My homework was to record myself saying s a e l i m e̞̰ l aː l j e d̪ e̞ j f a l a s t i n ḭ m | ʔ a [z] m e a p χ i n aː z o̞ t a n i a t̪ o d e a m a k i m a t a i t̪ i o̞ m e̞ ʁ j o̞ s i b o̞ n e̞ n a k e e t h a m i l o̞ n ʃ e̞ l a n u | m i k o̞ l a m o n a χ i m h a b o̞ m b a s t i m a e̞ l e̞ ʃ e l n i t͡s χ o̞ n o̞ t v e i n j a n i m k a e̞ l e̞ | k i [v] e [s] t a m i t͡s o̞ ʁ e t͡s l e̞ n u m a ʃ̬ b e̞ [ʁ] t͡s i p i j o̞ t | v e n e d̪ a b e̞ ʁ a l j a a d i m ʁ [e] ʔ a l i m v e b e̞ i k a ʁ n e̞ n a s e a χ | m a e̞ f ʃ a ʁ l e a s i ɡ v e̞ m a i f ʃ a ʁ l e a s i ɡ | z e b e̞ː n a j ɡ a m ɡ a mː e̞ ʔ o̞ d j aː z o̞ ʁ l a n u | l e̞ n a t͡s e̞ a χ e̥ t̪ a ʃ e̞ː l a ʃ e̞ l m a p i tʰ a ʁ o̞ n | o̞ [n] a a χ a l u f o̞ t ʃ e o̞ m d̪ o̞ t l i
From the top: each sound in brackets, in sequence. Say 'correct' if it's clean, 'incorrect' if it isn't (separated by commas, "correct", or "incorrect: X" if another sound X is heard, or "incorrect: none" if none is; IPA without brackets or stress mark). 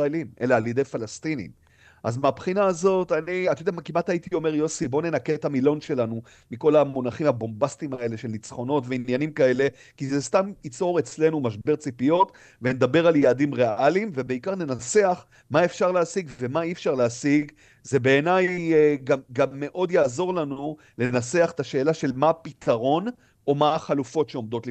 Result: correct, incorrect: z, correct, correct, correct, incorrect: m